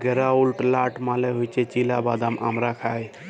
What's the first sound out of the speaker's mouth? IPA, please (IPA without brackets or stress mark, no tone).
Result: ɡ